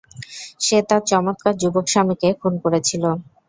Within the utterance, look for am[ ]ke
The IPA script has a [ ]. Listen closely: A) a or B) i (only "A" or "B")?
B